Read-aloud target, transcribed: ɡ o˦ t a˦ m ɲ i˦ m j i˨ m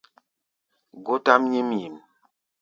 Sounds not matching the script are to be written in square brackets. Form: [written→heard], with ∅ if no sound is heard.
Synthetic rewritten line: ɡ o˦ t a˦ m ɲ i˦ m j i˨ m